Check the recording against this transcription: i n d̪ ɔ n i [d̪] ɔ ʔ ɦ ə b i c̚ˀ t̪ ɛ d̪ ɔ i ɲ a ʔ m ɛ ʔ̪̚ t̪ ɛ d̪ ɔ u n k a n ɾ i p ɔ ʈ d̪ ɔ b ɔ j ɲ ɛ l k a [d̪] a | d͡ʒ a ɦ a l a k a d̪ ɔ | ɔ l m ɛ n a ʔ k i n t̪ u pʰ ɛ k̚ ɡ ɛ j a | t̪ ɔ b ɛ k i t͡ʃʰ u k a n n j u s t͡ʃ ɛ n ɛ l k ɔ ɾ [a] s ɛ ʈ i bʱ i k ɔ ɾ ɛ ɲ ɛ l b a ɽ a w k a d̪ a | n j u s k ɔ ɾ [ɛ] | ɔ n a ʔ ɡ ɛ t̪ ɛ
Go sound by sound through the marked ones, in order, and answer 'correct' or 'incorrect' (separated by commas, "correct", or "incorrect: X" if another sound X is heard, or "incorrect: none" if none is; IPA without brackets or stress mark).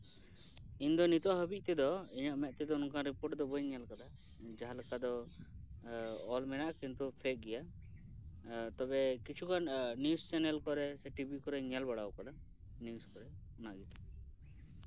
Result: incorrect: t̪, correct, incorrect: ɛ, correct